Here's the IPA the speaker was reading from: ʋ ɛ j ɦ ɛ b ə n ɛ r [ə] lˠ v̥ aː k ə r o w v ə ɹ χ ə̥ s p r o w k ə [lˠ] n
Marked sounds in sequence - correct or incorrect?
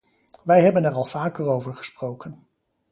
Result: incorrect: ɑ, incorrect: none

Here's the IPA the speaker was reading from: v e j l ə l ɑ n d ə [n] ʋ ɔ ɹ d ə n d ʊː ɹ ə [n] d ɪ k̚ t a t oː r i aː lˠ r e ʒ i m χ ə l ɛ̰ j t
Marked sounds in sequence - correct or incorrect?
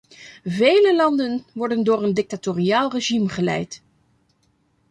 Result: correct, correct

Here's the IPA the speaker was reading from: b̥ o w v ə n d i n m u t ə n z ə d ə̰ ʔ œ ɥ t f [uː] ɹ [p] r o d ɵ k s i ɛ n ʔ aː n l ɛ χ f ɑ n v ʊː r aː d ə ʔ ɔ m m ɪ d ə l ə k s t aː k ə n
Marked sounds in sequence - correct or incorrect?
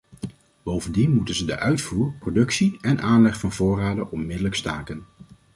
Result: correct, correct

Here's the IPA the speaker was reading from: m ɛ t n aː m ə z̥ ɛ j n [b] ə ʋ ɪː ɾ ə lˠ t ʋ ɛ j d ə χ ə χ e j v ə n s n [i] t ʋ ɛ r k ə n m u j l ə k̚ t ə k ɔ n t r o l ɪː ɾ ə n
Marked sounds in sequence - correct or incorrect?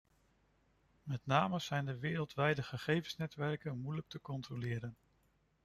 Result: incorrect: d, incorrect: ɛ

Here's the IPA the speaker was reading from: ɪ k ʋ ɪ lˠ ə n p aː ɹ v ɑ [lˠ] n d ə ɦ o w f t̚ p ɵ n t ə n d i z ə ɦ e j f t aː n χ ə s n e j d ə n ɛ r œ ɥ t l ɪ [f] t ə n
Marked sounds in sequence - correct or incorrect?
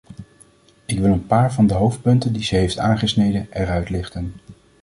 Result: incorrect: none, incorrect: χ

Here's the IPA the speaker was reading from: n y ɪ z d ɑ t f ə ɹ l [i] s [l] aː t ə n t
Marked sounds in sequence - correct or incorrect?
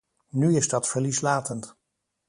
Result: correct, correct

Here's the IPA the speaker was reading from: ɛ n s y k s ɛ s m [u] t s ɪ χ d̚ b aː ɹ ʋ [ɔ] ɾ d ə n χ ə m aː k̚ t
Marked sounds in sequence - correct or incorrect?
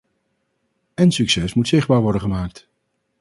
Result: correct, correct

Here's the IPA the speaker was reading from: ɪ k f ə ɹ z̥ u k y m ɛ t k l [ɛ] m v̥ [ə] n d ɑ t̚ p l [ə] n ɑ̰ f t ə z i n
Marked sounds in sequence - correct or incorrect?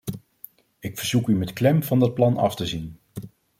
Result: correct, incorrect: ɑ, incorrect: ɑ

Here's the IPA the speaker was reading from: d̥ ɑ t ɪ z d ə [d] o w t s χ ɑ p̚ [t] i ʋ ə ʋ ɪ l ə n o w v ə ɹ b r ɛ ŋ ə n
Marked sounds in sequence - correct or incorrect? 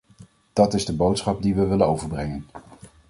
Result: incorrect: b, incorrect: d

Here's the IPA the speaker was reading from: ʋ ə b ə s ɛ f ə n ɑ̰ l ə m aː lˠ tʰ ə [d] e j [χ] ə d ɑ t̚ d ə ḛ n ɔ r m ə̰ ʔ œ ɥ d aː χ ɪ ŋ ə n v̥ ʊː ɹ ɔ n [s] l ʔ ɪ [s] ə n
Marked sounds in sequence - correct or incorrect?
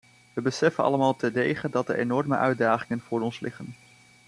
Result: correct, correct, correct, incorrect: χ

